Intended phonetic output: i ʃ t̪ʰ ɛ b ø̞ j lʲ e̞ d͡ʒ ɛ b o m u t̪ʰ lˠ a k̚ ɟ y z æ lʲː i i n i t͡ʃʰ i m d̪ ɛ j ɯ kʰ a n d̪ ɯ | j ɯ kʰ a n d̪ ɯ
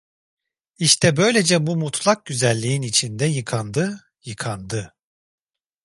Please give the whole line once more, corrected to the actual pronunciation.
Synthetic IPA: i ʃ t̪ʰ ɛ b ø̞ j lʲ e̞ d͡ʒ ɛ b u m u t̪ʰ lˠ a k̚ ɟ y z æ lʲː i i n i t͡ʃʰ i n d̪ ɛ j ɯ kʰ a n d̪ ɯ | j ɯ kʰ a n d̪ ɯ